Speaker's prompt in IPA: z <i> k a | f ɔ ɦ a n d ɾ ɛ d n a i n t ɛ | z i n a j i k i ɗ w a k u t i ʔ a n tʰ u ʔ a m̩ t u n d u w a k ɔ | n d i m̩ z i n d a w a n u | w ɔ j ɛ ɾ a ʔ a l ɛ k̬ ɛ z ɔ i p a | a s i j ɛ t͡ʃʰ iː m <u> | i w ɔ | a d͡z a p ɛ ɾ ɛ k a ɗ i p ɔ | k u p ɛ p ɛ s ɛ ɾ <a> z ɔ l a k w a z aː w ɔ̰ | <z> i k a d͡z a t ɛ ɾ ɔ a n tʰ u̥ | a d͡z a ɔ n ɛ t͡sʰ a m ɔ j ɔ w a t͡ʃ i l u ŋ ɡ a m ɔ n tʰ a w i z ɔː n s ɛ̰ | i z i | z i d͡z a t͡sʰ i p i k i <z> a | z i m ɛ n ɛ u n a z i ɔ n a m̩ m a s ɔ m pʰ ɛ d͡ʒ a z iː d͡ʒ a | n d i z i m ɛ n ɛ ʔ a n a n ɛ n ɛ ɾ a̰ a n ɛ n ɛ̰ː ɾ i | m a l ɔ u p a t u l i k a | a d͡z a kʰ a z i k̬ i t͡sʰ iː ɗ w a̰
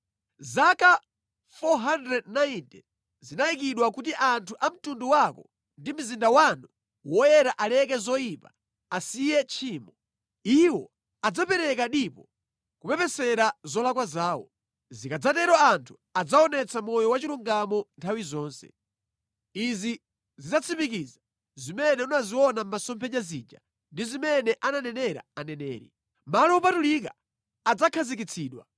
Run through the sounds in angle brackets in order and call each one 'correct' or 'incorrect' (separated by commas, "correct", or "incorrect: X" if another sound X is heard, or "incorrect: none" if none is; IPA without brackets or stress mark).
incorrect: a, incorrect: ɔ, correct, correct, correct